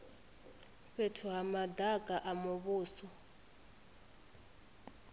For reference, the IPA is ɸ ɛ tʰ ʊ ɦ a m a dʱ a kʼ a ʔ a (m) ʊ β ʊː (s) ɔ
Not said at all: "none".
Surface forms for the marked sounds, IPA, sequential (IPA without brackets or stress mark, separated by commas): m, s